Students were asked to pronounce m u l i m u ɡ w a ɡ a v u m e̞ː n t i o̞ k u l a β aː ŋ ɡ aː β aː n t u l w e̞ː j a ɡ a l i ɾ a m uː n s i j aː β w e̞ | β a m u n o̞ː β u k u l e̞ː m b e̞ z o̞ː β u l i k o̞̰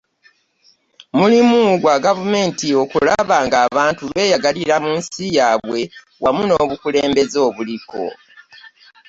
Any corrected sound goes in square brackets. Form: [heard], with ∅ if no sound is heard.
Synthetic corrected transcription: m u l i m u ɡ w a ɡ a v u m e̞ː n t i o̞ k u l a β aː ŋ ɡ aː β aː n t u l w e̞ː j a ɡ a l i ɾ a m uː n s i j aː β w e̞ | [w] a m u n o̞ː β u k u l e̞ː m b e̞ z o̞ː β u l i k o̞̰